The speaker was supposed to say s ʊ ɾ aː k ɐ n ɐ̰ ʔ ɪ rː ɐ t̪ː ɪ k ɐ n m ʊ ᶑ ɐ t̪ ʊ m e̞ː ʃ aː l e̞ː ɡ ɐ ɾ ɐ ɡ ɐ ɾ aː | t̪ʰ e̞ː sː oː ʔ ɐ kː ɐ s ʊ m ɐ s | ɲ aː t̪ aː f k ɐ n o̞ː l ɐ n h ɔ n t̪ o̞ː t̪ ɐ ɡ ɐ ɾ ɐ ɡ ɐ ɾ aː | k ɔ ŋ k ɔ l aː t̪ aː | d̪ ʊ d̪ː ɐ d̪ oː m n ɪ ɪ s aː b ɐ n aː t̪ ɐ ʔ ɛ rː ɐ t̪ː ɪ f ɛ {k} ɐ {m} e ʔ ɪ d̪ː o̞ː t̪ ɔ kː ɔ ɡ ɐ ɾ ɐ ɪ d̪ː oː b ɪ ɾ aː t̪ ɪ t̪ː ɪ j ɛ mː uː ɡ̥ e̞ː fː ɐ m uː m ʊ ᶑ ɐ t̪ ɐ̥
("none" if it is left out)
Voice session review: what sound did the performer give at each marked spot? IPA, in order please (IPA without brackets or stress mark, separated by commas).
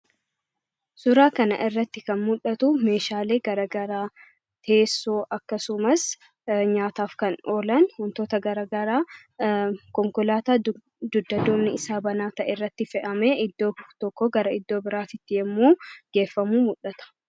ʔ, m